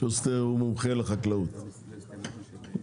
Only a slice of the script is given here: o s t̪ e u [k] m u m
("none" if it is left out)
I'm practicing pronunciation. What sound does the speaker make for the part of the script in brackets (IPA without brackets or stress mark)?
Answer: none